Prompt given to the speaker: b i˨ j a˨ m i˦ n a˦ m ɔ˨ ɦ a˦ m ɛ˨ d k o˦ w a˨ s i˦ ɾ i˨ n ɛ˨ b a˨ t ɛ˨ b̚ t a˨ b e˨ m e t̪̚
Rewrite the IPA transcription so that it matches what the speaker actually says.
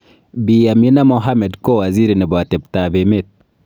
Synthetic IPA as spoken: b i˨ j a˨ m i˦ n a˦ m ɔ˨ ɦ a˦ m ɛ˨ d k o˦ w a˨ z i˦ ɾ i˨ n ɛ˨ b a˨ t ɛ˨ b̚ t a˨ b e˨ m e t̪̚

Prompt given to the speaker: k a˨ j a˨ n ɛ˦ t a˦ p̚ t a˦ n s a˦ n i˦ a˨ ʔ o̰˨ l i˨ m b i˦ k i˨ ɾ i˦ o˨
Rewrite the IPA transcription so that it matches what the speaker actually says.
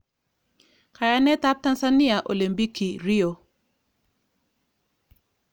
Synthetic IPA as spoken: k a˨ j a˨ n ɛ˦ t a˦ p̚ t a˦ n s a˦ n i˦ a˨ ʔ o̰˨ l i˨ m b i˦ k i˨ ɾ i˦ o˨

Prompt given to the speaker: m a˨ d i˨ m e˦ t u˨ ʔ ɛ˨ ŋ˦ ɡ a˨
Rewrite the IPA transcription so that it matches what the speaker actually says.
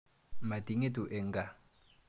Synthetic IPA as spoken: m a˨ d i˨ ŋ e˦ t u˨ ʔ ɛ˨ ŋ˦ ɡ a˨

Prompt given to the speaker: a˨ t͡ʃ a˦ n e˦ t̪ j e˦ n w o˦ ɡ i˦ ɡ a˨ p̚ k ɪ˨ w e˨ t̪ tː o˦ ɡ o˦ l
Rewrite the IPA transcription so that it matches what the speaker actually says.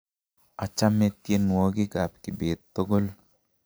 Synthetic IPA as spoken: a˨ t͡ʃ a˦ m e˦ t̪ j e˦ n w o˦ ɡ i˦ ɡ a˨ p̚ k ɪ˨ b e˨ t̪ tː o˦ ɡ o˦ l

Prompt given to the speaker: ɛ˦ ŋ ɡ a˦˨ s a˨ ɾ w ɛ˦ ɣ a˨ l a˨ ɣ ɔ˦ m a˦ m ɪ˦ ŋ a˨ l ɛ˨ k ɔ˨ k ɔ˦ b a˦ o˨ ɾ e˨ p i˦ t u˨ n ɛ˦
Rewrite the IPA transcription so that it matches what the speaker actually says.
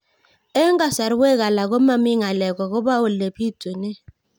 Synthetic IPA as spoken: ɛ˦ ŋ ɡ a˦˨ s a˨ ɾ w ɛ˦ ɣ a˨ l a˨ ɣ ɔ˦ m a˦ m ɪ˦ ŋ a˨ l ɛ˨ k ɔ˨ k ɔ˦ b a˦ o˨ l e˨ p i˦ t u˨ n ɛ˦

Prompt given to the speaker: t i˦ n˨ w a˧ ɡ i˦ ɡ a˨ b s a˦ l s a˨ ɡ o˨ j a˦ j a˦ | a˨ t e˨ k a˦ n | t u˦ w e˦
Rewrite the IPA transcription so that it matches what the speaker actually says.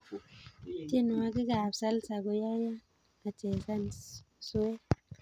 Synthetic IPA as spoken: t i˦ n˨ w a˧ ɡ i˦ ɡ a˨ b s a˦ l s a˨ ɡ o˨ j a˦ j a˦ | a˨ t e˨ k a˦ n | s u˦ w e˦

